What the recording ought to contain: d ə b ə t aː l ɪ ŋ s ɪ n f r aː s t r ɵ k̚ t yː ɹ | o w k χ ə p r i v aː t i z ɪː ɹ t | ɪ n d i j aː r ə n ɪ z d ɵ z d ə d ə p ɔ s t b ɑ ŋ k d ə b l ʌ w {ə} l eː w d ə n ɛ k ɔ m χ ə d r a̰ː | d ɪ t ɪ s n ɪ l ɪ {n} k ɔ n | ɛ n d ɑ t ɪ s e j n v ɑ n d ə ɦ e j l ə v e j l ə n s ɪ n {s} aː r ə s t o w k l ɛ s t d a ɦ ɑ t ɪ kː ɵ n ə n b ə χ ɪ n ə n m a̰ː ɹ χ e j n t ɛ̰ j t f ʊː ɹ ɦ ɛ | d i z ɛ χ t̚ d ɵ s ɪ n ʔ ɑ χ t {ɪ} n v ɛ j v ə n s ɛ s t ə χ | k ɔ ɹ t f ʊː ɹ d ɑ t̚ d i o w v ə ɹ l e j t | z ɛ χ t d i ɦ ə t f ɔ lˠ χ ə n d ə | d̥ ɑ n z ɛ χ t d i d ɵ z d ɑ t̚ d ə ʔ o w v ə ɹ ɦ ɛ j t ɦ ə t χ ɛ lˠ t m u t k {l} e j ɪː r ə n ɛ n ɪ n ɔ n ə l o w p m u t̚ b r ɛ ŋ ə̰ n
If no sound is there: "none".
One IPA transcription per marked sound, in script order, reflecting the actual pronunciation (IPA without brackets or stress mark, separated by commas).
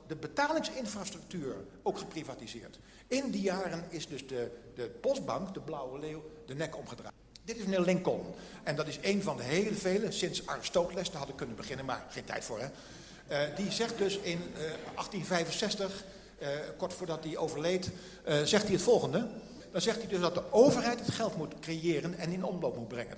ə, ŋ, s, i, r